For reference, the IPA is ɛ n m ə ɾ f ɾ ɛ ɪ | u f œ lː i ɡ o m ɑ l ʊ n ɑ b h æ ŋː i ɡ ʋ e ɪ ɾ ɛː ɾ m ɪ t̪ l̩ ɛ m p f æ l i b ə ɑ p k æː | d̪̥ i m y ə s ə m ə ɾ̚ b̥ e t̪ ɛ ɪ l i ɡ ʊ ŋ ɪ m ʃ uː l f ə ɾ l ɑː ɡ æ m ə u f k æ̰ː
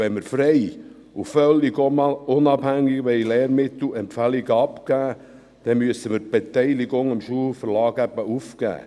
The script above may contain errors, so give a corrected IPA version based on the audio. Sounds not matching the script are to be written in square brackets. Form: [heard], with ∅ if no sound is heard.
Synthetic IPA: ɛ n m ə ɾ f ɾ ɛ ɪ | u f œ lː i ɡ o m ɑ l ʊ n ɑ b h æ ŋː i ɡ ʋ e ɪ [l] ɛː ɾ m ɪ t̪ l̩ ɛ m p f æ l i [ɡ] ə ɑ p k æː | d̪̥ [ɛ] m y ə s ə m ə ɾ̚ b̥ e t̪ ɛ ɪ l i ɡ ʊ ŋ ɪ m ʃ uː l f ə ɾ l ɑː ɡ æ [b] ə u f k æ̰ː